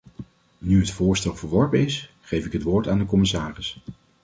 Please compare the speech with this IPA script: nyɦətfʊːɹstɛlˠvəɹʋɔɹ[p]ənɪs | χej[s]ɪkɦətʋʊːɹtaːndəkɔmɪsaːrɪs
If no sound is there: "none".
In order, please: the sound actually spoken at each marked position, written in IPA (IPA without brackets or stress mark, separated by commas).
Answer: p, f